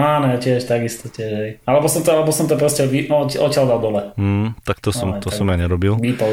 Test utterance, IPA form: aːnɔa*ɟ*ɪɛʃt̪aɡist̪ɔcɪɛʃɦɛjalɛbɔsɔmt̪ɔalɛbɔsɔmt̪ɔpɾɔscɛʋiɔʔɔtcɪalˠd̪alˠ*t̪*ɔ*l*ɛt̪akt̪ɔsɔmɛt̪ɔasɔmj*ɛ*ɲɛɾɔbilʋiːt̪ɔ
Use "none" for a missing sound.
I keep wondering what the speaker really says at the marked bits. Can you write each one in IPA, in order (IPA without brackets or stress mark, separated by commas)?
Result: c, d̪, l, a